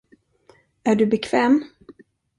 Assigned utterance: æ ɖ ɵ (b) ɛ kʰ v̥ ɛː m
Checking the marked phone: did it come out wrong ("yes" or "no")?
no